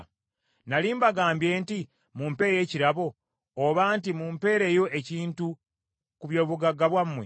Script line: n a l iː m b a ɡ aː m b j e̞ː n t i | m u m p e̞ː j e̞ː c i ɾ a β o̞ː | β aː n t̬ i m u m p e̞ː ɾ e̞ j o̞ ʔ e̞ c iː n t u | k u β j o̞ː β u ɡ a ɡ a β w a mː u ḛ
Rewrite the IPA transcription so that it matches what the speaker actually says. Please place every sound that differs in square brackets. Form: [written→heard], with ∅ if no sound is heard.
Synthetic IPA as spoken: n a l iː m b a ɡ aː m b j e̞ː n t i | m u m p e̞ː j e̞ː c i ɾ a β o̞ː | β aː n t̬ i m u m p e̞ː ɾ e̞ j o̞ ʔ e̞ c iː n t u | k u β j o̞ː β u ɡ a ɡ a β w a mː [u→w] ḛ